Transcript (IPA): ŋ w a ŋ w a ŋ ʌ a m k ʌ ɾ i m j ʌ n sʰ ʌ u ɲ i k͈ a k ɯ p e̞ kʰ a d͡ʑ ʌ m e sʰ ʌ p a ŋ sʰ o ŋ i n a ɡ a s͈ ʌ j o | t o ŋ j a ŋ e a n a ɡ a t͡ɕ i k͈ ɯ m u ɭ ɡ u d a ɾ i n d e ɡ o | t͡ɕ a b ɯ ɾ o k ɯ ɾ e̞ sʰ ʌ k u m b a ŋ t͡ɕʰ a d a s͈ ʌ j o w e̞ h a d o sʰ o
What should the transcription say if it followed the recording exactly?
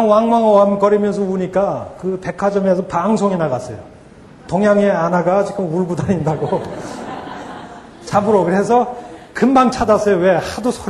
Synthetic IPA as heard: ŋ w a ŋ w a ŋ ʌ a m k ʌ ɾ i m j ʌ n sʰ ʌ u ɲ i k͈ a k ɯ p e̞ kʰ a d͡ʑ ʌ m e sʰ ʌ p a ŋ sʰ o ŋ i n a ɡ a s͈ ʌ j o | t o ŋ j a ŋ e a n a ɡ a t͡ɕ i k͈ ɯ m u ɭ ɡ u d a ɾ i n d a ɡ o | t͡ɕ a b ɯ ɾ o k ɯ ɾ e̞ sʰ ʌ k ɯ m b a ŋ t͡ɕʰ a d a s͈ ʌ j o w e̞ h a d o sʰ o